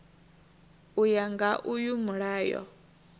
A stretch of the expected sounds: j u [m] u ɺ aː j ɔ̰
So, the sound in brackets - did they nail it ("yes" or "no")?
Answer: yes